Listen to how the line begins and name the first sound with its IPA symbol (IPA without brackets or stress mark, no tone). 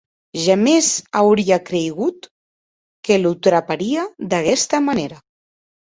ʒ